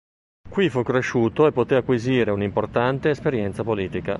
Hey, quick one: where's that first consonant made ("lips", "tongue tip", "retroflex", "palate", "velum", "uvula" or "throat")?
velum